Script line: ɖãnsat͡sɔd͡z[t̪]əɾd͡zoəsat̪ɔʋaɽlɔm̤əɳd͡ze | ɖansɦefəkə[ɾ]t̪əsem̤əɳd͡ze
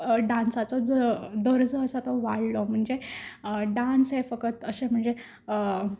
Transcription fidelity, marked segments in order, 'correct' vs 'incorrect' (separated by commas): incorrect, incorrect